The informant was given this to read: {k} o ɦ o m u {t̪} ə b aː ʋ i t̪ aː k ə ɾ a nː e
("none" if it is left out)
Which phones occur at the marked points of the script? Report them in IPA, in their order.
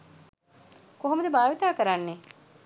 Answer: k, d̪

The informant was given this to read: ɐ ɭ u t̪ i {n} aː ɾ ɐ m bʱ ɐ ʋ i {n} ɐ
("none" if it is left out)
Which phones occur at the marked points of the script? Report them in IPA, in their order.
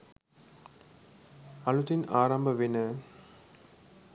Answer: n, n

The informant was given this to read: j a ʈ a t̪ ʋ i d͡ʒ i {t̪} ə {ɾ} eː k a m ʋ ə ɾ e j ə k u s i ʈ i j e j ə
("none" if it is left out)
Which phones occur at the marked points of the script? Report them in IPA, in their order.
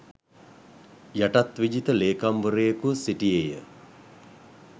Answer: t̪, l

